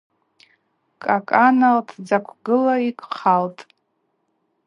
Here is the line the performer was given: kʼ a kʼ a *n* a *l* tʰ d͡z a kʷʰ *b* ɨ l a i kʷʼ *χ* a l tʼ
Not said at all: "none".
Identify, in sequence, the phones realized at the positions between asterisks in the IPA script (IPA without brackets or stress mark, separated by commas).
n, l, ɡ, χ